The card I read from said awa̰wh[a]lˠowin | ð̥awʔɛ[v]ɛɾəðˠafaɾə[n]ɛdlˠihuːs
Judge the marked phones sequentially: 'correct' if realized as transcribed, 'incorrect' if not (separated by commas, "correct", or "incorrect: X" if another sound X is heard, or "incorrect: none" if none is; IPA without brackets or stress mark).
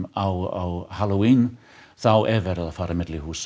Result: correct, correct, incorrect: m